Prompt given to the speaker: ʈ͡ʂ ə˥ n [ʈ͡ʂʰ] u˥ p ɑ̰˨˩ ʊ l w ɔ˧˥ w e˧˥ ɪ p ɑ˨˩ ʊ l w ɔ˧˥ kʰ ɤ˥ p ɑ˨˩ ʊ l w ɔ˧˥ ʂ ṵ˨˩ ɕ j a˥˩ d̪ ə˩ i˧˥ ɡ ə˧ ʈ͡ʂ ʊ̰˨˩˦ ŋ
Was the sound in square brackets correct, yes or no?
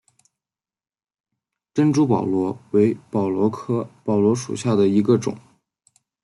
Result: no